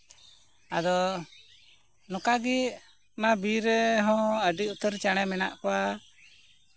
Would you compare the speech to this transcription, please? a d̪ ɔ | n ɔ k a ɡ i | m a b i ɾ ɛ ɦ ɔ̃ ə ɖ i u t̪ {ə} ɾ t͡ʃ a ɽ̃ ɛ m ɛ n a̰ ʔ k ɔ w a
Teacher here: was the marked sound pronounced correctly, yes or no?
yes